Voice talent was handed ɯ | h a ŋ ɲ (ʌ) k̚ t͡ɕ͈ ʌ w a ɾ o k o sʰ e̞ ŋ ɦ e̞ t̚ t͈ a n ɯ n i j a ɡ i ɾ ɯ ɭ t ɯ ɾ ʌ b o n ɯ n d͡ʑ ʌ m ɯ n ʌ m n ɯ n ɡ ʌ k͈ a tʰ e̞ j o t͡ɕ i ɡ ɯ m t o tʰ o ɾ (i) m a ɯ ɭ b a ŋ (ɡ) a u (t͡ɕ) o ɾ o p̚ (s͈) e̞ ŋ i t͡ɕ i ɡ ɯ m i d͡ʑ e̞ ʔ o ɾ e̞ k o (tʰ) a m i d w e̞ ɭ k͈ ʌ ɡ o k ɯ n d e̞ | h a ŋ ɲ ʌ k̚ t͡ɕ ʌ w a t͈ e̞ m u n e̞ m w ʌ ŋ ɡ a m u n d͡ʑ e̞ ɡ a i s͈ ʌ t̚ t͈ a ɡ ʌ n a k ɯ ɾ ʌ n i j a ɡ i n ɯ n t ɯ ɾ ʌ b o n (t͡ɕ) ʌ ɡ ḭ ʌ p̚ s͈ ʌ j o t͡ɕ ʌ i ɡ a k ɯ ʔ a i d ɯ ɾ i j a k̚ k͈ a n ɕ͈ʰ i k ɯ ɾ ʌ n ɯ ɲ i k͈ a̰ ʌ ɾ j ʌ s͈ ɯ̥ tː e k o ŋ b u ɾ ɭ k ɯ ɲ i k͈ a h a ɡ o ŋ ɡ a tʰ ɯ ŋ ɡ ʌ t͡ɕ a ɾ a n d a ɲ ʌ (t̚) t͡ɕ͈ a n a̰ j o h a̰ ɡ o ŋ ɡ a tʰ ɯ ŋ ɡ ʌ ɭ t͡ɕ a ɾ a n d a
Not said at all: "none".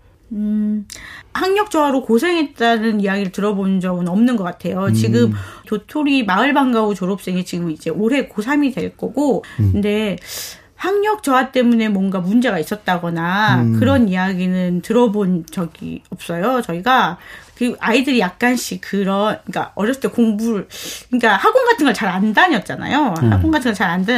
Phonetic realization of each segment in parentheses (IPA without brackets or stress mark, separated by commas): ʌ, i, ɡ, t͡ɕ, s͈, sʰ, t͡ɕ, t̚